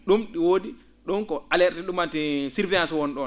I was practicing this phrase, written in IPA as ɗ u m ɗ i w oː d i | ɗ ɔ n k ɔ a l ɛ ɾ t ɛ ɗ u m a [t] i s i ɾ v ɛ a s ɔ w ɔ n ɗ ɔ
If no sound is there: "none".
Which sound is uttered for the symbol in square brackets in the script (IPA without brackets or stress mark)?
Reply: t